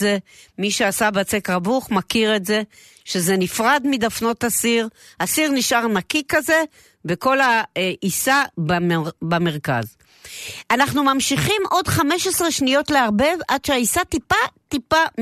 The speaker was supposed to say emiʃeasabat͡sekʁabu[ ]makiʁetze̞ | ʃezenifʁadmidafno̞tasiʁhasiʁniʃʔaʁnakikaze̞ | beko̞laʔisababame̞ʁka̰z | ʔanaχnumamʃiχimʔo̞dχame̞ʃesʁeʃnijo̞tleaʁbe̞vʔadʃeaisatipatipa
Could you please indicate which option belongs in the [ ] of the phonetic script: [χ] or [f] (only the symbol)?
χ